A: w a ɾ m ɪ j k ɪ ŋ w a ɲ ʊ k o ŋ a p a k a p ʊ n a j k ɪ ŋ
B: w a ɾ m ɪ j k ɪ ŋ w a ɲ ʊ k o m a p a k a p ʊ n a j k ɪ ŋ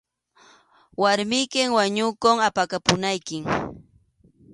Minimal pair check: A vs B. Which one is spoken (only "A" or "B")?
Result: A